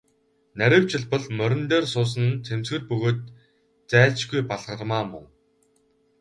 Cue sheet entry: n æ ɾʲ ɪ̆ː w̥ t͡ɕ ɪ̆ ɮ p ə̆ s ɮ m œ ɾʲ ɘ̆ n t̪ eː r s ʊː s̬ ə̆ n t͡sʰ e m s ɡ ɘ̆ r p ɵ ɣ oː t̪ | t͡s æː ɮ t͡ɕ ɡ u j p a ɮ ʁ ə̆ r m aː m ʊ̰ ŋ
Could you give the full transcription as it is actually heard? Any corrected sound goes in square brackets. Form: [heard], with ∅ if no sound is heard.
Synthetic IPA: n æ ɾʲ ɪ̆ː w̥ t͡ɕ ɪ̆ ɮ p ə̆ [∅] ɮ m œ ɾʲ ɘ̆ n t̪ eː r s ʊː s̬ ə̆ n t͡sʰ e m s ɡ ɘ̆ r p ɵ ɣ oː t̪ | t͡s æː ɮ t͡ɕ ɡ u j p a ɮ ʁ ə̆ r m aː m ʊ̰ ŋ

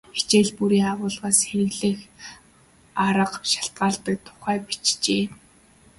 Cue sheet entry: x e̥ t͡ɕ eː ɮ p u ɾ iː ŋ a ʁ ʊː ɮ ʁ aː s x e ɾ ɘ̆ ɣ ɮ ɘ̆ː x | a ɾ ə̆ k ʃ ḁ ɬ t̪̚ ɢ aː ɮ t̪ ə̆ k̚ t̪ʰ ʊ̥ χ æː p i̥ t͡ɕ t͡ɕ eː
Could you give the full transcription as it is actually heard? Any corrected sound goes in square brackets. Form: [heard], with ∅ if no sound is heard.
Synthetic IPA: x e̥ t͡ɕ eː ɮ p u ɾ iː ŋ a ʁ ʊː ɮ ʁ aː s x e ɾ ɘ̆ ɣ ɮ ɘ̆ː x | a ɾ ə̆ [q] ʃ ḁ ɬ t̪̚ ɢ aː ɮ t̪ ə̆ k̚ t̪ʰ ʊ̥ χ æː p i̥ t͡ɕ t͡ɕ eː

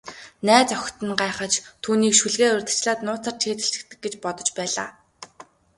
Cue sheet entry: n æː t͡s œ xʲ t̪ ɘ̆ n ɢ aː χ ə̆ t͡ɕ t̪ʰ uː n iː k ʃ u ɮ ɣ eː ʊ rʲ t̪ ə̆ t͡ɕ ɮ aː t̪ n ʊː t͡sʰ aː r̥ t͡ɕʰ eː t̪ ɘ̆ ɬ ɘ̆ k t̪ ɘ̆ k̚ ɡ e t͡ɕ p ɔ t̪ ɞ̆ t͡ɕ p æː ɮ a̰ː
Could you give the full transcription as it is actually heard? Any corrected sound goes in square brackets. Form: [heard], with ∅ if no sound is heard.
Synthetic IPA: n æː t͡s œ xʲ t̪ ɘ̆ n ɢ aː χ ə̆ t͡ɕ t̪ʰ uː n iː k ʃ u ɮ ɣ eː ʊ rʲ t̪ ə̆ t͡ɕ ɮ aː t̪ n ʊː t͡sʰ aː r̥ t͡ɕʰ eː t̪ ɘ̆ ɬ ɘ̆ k t̪ ɘ̆ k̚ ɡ e t͡ɕ p ɔ t̪ ɞ̆ t͡ɕ p æː ɮ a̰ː

